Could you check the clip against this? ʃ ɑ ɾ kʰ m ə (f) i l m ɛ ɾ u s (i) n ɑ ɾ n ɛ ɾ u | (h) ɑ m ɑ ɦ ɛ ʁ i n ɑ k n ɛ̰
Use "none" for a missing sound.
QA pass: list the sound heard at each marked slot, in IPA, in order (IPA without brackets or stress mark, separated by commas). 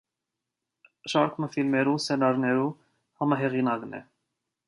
f, ɛ, h